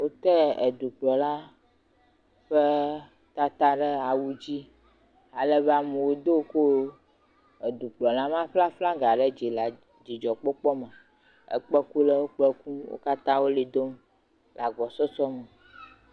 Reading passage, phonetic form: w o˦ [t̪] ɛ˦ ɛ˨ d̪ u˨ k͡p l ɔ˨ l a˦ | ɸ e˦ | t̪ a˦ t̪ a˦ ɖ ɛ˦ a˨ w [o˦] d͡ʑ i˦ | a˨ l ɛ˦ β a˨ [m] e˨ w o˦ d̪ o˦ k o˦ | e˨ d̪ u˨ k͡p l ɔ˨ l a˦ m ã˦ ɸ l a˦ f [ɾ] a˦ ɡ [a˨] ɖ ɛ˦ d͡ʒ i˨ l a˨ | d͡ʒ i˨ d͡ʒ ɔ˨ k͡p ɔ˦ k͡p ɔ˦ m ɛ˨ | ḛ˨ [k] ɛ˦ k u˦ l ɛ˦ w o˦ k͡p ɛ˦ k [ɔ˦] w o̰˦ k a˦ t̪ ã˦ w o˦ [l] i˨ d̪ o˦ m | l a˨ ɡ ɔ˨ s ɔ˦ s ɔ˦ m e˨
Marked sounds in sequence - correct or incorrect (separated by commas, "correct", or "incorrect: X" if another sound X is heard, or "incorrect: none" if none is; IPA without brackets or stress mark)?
correct, incorrect: u˦, correct, incorrect: l, correct, incorrect: k͡p, incorrect: u˦, correct